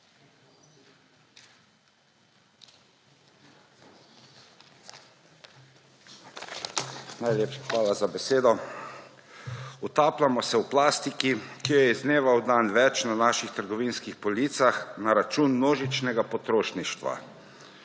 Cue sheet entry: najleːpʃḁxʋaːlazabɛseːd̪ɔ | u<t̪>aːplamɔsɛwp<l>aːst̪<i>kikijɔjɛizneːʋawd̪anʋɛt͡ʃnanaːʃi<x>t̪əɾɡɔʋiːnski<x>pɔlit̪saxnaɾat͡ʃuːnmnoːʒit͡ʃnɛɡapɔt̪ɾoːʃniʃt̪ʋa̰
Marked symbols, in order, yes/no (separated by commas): yes, yes, yes, yes, yes